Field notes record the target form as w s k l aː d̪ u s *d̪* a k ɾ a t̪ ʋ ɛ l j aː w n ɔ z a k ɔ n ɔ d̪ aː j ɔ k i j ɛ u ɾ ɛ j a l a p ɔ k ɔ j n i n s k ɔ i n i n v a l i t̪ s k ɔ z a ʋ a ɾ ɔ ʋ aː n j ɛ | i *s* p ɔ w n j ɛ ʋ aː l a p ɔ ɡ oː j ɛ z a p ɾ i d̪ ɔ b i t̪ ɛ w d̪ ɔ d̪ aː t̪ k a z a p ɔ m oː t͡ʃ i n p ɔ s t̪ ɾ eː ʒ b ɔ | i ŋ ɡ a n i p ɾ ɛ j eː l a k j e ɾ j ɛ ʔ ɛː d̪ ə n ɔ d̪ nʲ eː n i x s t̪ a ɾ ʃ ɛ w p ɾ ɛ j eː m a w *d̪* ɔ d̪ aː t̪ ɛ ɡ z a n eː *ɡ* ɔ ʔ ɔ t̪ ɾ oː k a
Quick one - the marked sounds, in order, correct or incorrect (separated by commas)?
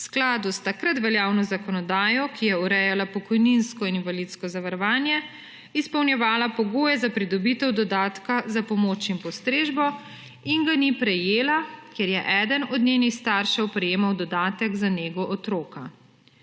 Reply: incorrect, correct, correct, correct